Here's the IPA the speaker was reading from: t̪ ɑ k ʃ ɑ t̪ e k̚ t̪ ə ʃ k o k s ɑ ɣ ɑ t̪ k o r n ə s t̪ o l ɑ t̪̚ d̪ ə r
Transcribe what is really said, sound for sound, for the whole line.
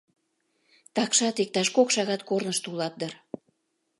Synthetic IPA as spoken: t̪ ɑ k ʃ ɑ t̪ e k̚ t̪ ɑ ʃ k o k ʃ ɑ ɣ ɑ t̪ k o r n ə ʃ t̪ u l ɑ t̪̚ d̪ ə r